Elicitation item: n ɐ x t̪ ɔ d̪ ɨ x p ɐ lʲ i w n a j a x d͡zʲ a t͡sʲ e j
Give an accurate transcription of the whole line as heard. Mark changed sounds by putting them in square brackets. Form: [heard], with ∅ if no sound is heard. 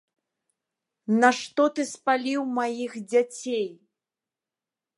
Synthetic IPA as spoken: n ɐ [ʂ] t̪ ɔ [t̪] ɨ [s] p [a] lʲ i w [m] a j [i] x d͡zʲ a t͡sʲ e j